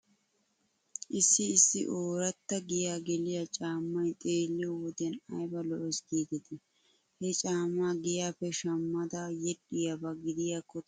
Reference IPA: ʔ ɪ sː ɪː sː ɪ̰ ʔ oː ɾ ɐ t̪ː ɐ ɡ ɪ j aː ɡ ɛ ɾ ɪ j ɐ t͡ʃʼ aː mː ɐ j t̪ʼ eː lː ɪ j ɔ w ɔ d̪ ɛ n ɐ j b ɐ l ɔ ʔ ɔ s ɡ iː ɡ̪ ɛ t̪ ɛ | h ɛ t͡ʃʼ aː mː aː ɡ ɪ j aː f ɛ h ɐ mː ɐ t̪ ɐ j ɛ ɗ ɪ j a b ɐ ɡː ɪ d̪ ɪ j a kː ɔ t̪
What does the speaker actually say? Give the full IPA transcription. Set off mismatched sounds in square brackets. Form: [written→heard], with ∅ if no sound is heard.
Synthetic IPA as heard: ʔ ɪ sː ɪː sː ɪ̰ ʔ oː ɾ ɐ t̪ː ɐ ɡ ɪ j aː ɡ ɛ [ɾ→l] ɪ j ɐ t͡ʃʼ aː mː ɐ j t̪ʼ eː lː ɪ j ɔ w ɔ d̪ ɛ n ɐ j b ɐ l ɔ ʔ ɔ s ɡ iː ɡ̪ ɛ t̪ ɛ | h ɛ t͡ʃʼ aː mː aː ɡ ɪ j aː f ɛ [h→ʃ] ɐ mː ɐ [t̪→d̪] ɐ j ɛ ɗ ɪ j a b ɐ [ɡː→ɡ] ɪ d̪ ɪ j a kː ɔ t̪